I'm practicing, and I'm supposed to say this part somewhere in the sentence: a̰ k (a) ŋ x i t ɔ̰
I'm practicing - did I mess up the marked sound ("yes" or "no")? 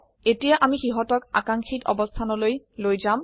no